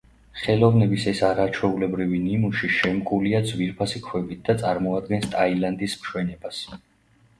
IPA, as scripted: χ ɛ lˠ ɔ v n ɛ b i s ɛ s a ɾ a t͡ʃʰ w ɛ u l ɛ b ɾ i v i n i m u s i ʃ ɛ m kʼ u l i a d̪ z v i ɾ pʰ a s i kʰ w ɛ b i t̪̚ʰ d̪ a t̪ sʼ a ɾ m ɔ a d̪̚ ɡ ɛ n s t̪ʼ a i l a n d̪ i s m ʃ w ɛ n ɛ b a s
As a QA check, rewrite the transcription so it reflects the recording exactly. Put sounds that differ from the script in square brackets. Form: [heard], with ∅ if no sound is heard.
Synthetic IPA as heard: χ ɛ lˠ ɔ v n ɛ b i s ɛ s a ɾ a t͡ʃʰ w ɛ u l ɛ b ɾ i v i n i m u [ʃ] i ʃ ɛ m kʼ u l i a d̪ z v i ɾ pʰ a s i kʰ w ɛ b i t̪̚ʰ d̪ a t̪ sʼ a ɾ m ɔ a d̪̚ ɡ ɛ n s t̪ʼ a i l a n d̪ i s m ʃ w ɛ n ɛ b a s